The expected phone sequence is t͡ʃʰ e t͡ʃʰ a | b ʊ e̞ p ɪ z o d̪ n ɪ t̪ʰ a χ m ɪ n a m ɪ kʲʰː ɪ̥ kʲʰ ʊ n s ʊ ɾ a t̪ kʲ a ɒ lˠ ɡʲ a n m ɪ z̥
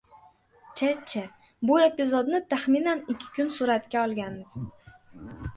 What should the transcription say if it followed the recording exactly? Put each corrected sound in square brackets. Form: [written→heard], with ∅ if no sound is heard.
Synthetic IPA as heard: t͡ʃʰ [e→a] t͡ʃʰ a | b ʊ e̞ p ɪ z o d̪ n ɪ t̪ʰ a χ m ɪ n a [m→n] ɪ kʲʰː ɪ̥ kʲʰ ʊ n s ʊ ɾ a t̪ kʲ a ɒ lˠ ɡʲ a n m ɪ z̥